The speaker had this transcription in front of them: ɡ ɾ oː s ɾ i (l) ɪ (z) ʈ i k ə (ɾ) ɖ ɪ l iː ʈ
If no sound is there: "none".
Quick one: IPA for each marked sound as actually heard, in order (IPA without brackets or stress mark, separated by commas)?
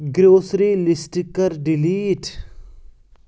l, s, ɾ